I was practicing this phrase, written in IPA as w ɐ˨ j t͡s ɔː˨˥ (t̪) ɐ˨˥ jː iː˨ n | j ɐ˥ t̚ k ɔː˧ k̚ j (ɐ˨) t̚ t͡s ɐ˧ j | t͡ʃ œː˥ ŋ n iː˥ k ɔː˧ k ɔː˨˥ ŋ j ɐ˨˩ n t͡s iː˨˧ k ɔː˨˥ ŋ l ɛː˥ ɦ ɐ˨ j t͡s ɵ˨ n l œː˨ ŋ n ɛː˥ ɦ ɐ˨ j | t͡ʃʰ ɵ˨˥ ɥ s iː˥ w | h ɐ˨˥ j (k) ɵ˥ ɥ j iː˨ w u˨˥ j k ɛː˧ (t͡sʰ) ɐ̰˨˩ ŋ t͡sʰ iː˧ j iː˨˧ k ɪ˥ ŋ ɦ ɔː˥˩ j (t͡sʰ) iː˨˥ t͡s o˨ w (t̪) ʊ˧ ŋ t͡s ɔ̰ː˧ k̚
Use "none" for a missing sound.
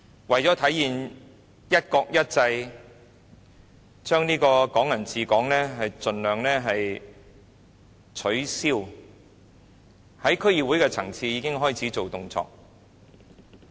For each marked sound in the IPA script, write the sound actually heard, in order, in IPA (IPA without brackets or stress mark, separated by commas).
t̪ʰ, ɐ˥, kʰ, t͡sʰ, t͡sʰ, t̪